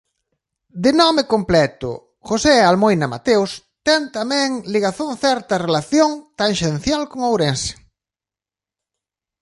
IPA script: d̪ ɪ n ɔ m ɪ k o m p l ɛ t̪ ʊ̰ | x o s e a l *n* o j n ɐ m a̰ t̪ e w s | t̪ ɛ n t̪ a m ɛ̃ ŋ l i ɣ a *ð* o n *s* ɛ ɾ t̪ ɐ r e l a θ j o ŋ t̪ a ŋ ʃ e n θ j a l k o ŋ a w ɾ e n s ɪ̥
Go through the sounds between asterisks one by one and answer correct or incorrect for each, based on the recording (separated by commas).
incorrect, incorrect, incorrect